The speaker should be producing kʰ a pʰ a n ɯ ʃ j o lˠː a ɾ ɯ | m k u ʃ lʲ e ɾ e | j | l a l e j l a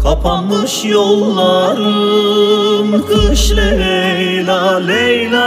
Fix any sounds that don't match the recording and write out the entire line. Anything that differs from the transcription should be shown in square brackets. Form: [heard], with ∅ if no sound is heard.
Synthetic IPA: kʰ a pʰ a n ɯ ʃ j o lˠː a ɾ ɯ | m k [ɯ] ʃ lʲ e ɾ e | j | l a l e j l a